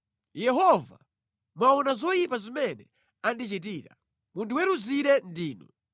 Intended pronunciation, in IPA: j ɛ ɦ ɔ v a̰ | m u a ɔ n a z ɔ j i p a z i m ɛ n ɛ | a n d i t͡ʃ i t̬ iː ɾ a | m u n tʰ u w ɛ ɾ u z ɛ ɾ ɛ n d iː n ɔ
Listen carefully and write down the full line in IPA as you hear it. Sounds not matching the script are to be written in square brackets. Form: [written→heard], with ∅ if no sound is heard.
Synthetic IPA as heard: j ɛ ɦ ɔ v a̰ | m [u→w] a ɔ n a z ɔ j i p a z i m ɛ n ɛ | a n d i t͡ʃ i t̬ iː ɾ a | m u n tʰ u w ɛ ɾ u z [ɛ→i] ɾ ɛ n d iː n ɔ